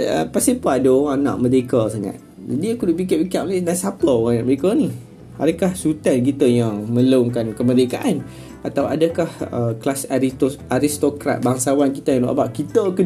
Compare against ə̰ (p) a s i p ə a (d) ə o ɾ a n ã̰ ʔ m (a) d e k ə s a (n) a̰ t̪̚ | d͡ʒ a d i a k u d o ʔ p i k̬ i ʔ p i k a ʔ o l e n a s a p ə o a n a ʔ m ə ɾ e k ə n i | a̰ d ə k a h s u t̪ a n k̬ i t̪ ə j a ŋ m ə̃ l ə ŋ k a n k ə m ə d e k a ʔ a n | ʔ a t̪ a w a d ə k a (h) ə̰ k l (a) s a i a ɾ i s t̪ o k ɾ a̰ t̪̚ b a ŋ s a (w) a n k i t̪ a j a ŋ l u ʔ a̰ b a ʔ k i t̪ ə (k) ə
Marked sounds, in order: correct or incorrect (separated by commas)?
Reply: correct, correct, incorrect, incorrect, correct, correct, correct, correct